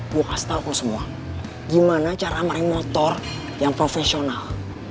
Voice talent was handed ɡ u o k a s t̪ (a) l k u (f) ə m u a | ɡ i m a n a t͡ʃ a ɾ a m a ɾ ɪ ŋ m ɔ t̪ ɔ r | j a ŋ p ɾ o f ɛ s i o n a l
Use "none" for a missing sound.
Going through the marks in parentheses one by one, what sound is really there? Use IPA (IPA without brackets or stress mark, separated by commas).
a, s